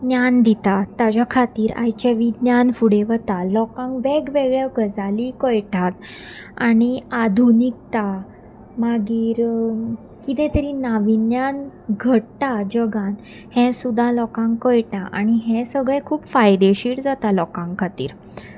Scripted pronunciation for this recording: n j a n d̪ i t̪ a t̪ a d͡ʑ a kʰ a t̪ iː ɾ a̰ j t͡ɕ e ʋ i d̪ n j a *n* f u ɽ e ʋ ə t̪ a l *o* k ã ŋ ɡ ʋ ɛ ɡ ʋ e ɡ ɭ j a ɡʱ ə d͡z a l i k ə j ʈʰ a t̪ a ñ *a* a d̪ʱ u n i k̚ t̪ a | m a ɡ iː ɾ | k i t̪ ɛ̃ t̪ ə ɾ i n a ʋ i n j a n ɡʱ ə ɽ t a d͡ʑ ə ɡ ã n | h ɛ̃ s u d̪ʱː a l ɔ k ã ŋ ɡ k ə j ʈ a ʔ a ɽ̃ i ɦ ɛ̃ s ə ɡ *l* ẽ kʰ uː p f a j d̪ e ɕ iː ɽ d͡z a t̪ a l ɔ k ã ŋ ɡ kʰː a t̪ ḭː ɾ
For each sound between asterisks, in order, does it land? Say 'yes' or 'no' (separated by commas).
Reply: yes, no, no, no